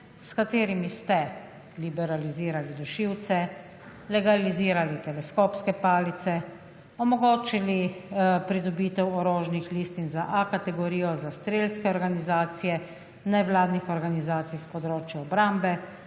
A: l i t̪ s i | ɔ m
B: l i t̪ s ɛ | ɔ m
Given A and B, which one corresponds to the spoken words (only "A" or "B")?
B